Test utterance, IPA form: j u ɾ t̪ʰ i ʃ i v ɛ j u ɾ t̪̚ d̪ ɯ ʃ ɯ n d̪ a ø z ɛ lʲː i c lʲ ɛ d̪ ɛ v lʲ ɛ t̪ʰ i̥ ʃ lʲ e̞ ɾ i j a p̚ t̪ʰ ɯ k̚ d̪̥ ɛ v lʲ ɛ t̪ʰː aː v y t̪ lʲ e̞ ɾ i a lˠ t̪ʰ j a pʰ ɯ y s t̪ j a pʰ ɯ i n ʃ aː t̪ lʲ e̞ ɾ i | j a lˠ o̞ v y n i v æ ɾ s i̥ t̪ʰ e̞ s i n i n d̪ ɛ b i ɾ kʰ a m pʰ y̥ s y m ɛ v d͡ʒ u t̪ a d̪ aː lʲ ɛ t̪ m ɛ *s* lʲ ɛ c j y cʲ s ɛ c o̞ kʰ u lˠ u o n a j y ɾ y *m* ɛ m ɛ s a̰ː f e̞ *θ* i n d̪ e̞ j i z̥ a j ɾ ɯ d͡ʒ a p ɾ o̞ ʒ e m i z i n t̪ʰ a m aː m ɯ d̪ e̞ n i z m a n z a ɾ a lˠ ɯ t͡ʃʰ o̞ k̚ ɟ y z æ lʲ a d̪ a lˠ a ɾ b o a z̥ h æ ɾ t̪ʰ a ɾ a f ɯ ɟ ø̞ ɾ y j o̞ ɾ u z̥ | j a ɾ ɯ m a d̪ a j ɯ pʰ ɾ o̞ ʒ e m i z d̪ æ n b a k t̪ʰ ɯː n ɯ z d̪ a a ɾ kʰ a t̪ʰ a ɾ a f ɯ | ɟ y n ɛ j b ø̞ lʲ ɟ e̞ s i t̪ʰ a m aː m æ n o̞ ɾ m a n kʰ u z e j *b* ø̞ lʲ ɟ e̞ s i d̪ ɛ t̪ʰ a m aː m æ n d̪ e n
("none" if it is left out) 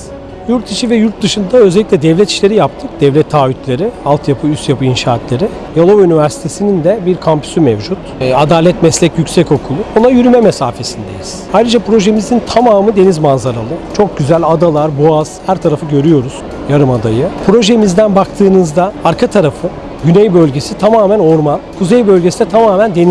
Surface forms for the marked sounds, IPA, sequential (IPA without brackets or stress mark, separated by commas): s, m, s, b